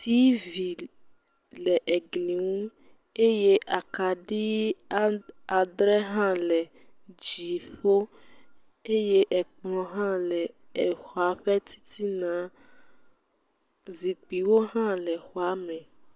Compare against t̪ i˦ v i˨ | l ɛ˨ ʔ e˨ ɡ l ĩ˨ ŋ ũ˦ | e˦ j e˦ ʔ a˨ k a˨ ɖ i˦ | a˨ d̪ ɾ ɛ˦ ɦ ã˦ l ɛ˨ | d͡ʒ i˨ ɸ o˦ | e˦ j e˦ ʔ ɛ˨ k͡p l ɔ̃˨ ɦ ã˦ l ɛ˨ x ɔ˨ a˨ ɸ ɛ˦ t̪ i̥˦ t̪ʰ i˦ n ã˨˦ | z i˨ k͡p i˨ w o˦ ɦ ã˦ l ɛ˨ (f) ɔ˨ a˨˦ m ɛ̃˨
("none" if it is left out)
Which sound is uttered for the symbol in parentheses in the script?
x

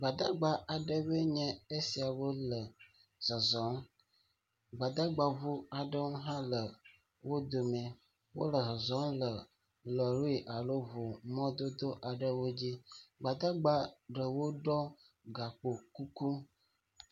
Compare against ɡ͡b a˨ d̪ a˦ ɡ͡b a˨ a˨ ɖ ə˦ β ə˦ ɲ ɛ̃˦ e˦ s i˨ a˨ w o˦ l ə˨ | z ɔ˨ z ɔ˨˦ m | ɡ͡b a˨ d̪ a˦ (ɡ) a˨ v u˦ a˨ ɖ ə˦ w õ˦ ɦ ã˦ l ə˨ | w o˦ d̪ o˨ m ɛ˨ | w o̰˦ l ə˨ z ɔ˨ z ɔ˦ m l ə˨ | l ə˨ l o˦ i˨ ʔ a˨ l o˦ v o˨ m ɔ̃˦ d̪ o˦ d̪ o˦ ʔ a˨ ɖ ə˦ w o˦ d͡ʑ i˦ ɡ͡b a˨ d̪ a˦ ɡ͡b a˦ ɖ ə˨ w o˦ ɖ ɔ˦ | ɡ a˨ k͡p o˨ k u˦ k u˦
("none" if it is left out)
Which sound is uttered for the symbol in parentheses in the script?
ɡ͡b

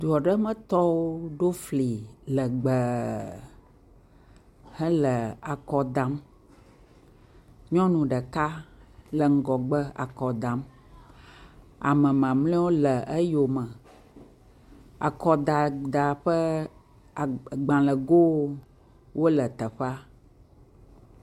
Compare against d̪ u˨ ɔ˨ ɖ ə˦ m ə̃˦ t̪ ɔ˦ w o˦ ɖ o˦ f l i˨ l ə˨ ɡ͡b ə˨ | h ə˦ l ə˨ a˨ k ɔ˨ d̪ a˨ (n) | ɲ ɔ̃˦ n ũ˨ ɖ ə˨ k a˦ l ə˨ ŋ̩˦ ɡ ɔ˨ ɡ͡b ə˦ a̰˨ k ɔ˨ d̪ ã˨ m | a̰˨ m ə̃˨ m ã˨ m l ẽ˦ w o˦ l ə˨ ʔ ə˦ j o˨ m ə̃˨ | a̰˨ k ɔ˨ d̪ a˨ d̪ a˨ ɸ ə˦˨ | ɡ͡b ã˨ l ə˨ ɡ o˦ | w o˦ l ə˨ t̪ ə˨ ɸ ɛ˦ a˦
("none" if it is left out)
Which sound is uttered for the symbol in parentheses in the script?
m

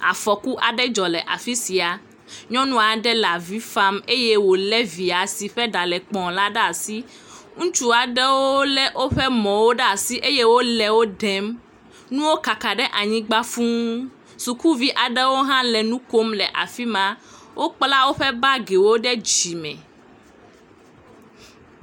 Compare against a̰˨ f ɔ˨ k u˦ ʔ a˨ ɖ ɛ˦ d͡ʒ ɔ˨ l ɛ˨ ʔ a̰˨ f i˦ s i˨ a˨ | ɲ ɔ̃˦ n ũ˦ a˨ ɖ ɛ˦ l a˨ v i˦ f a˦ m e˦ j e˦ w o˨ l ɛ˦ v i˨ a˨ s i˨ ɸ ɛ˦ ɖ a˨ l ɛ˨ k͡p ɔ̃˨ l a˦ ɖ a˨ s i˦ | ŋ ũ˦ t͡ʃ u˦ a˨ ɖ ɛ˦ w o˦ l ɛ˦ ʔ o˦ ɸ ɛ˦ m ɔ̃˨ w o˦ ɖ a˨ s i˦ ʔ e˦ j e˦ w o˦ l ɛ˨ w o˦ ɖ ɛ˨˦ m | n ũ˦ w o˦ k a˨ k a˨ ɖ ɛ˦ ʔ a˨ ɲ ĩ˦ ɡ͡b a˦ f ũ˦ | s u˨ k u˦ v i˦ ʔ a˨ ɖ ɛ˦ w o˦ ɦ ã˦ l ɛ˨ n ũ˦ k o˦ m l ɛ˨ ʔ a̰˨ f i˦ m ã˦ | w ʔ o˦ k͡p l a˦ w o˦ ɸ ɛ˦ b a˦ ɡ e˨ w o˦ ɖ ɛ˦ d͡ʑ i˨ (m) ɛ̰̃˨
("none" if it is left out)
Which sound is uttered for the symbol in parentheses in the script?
m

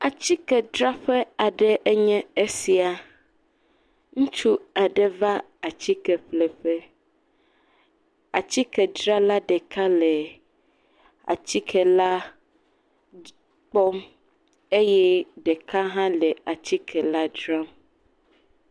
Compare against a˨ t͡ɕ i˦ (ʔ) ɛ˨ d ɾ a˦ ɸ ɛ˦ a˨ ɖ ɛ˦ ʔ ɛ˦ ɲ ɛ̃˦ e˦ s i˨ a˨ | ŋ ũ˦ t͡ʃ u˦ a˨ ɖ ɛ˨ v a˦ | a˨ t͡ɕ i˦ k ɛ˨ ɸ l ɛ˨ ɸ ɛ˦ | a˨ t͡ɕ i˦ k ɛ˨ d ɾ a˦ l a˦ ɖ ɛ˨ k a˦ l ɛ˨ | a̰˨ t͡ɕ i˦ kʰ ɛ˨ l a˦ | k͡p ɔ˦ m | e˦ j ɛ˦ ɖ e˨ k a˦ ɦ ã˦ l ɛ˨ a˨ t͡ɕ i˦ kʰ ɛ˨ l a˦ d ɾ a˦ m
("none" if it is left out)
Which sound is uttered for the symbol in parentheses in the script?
k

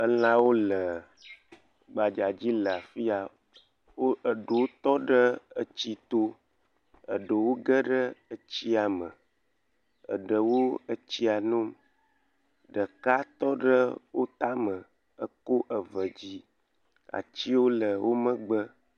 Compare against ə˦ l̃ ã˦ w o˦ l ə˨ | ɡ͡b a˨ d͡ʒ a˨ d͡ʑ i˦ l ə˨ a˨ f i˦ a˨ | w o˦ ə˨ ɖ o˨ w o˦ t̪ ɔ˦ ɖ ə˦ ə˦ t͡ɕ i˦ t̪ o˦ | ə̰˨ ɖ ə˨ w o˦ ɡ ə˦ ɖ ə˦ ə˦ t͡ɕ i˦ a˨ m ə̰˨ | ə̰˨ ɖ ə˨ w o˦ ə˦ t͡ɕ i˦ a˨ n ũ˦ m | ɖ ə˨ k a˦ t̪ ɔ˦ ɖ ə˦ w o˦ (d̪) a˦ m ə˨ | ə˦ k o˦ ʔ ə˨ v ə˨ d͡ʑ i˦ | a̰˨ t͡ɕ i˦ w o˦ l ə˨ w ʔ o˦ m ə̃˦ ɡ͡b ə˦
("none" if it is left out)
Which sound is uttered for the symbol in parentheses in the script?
t̪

